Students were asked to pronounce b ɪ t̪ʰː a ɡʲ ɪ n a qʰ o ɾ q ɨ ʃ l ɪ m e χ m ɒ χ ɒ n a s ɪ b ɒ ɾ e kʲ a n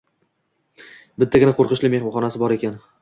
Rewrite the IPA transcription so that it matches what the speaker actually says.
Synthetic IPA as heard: b ɪ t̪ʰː a ɡʲ ɪ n a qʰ o ɾ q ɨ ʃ l ɪ m e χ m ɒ χ ɒ n a s ɪ b ɒ ɾ e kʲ a n